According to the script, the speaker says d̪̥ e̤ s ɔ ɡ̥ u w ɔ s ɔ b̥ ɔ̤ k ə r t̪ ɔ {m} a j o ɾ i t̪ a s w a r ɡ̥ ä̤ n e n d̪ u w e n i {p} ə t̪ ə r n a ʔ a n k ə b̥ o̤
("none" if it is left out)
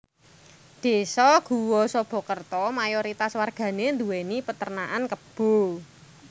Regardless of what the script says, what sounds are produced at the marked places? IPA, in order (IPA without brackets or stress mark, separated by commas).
m, p